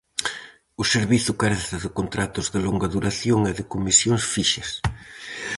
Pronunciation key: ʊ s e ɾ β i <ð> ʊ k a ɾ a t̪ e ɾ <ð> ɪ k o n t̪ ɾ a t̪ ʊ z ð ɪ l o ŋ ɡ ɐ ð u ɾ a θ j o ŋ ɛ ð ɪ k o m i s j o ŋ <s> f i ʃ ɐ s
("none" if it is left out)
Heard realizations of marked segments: θ, ð, s

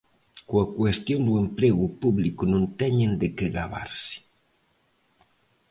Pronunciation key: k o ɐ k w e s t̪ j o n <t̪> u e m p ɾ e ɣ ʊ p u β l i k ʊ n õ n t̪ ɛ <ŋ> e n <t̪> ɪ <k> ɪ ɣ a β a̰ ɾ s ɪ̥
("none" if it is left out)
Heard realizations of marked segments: d̪, ɲ, d̪, k

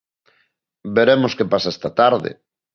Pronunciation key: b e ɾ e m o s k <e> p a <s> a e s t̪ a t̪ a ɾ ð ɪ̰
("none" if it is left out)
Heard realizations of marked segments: e, s

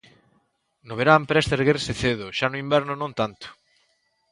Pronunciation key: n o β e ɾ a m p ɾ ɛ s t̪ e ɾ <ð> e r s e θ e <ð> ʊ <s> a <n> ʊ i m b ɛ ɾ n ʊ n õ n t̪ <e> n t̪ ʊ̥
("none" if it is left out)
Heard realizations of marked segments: ɣ, ð, ʃ, n, a

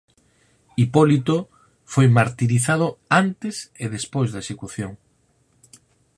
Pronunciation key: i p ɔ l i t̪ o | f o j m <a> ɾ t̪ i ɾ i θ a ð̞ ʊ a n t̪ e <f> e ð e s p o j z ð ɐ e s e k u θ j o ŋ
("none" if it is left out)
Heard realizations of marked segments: a, s

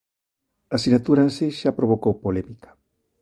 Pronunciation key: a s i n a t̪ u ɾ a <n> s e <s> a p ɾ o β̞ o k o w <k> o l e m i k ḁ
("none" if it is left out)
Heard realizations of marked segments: n, ʃ, p

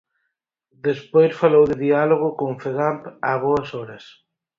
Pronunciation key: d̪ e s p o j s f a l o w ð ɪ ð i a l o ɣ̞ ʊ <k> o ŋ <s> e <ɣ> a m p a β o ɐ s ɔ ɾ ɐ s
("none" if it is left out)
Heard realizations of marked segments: k, f, ɣ

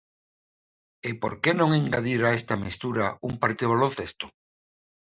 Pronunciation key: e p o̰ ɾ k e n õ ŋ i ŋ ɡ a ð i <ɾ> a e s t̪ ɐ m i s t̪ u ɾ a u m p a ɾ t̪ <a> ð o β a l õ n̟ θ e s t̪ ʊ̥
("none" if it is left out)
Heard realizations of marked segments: ɾ, i

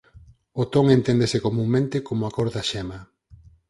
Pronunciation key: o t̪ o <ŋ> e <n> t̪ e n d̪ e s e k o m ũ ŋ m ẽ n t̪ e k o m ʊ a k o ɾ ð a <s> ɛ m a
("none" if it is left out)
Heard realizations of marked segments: ŋ, n, ʃ

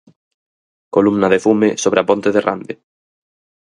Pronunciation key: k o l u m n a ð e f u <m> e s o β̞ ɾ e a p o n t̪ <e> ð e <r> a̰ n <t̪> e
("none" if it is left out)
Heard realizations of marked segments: m, e, r, d̪

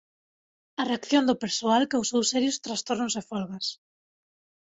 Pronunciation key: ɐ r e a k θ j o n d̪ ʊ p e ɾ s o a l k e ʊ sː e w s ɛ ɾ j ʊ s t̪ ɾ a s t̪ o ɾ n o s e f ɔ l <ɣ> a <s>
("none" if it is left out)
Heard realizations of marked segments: ɣ, s

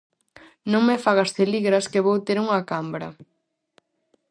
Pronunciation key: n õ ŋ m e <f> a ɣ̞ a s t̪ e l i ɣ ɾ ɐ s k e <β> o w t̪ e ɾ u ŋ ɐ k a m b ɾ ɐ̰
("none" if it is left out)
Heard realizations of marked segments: f, β

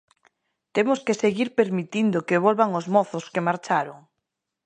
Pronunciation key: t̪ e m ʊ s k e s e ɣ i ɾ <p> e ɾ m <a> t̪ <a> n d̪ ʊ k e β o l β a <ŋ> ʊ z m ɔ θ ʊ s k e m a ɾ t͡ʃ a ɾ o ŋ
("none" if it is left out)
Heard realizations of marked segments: p, i, i, ŋ

